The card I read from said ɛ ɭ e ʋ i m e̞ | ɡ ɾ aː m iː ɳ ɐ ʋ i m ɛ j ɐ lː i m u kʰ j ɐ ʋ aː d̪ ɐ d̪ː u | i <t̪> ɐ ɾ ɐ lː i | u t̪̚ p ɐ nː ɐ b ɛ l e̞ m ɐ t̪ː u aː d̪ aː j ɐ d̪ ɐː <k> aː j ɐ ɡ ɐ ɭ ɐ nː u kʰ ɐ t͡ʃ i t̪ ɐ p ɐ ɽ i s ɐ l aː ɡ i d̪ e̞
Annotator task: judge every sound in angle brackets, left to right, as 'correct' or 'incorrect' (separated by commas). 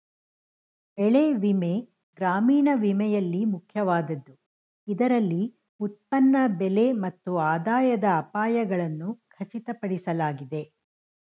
incorrect, incorrect